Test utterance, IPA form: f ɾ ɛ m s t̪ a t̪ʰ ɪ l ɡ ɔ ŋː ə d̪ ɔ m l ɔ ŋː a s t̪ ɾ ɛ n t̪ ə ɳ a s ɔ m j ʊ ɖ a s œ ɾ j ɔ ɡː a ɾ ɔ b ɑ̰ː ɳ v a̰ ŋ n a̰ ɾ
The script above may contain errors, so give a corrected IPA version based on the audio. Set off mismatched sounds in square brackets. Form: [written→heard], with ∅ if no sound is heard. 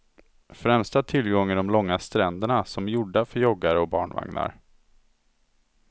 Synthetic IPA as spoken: f ɾ ɛ m s t̪ a t̪ʰ ɪ l ɡ ɔ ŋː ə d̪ ɔ m l ɔ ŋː a s t̪ ɾ ɛ n [t̪→d̪] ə ɳ a s ɔ m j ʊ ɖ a [s→f] œ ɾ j ɔ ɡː a ɾ ɔ b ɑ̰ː ɳ v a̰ ŋ n a̰ ɾ